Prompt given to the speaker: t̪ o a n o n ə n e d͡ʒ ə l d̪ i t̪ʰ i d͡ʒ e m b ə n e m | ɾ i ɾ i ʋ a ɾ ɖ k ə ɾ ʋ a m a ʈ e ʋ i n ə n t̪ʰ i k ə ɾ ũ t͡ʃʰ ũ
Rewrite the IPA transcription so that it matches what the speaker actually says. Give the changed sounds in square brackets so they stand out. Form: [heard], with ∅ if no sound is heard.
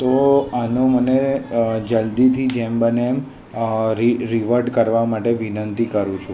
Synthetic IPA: t̪ o a n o [m] ə n e d͡ʒ ə l d̪ i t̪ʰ i d͡ʒ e m b ə n e m | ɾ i ɾ i ʋ [ə] ɾ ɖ k ə ɾ ʋ a m a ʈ e ʋ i n ə n [t̪] i k ə ɾ ũ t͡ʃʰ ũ